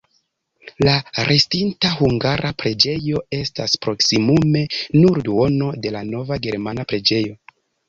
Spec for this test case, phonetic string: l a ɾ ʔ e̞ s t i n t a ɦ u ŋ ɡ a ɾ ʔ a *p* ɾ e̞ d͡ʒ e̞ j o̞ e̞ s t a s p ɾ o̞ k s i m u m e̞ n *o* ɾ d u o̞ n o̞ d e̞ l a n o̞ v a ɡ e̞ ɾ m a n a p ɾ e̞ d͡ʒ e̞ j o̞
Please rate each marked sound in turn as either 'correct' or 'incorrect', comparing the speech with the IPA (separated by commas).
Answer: correct, incorrect